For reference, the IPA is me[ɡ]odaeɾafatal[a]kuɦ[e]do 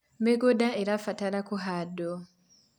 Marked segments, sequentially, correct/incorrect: correct, correct, incorrect: a

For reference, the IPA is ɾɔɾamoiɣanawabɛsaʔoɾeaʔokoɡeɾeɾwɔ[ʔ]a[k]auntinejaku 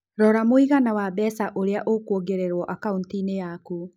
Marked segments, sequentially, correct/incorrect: correct, correct

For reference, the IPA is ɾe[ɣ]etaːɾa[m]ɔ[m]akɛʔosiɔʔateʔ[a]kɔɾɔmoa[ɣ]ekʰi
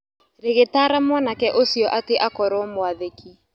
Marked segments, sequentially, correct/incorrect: correct, correct, incorrect: n, correct, incorrect: ð

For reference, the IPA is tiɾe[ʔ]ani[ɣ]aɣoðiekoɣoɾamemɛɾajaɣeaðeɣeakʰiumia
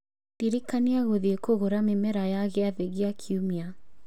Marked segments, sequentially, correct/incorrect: incorrect: k, incorrect: none

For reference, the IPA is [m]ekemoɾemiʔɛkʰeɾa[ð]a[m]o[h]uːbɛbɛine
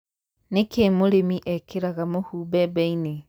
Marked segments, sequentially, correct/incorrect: incorrect: n, incorrect: ɣ, correct, correct

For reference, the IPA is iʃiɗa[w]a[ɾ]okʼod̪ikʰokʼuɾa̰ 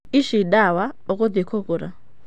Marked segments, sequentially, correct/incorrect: correct, incorrect: none

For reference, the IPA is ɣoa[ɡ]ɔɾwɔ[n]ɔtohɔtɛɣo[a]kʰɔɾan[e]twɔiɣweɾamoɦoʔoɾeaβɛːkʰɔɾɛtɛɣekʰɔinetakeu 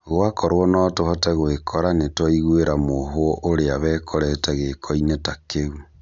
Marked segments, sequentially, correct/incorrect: incorrect: k, correct, incorrect: e, correct

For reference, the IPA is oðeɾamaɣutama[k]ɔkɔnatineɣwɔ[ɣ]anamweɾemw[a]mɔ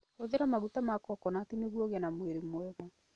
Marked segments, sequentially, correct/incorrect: correct, correct, incorrect: ɛ

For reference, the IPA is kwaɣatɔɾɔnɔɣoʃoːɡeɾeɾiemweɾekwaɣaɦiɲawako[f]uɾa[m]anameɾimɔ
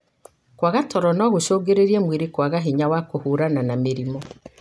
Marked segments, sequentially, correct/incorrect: incorrect: h, incorrect: n

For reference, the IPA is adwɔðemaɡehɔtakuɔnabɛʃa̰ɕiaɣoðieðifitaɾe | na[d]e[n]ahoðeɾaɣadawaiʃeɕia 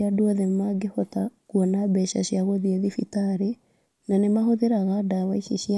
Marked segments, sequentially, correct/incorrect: incorrect: n, incorrect: m

